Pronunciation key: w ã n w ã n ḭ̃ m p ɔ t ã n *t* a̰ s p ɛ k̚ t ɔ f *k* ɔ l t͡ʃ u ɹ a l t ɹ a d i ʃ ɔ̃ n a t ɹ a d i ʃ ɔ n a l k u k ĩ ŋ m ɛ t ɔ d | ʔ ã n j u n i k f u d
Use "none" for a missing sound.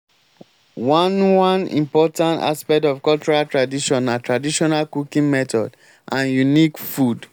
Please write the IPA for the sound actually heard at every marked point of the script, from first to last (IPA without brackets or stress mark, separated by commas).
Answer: t, k